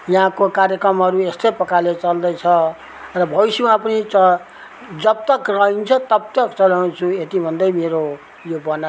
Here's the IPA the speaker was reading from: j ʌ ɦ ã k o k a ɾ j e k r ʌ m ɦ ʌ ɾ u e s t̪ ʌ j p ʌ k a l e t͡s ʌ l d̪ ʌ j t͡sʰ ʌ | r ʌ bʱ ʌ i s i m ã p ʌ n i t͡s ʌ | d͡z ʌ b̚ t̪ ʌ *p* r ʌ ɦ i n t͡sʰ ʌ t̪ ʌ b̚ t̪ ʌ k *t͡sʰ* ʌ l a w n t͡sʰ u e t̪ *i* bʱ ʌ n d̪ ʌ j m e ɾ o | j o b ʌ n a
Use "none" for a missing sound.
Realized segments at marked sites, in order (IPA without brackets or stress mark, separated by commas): k, t͡s, i